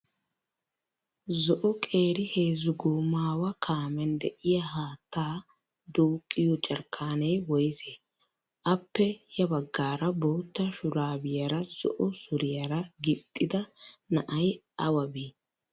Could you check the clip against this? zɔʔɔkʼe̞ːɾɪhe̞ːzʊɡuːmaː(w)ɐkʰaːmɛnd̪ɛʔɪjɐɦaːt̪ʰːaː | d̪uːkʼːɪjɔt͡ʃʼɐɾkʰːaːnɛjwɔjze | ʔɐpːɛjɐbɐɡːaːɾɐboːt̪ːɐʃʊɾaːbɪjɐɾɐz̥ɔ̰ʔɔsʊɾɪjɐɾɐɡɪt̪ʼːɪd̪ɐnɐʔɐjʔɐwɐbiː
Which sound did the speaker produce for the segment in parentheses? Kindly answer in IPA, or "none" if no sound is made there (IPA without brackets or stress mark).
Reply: w